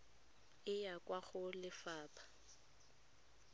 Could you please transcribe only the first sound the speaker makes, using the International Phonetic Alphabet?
ɪ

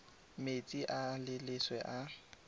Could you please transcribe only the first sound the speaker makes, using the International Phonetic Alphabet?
m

